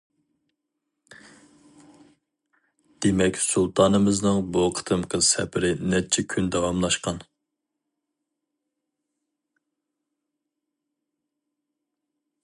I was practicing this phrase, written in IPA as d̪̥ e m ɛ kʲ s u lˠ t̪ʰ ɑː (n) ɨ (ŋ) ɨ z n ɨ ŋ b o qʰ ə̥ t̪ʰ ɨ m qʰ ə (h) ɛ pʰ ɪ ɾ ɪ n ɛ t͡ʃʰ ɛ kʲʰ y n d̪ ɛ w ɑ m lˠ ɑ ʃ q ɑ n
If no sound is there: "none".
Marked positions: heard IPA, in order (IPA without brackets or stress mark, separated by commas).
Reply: n, m, s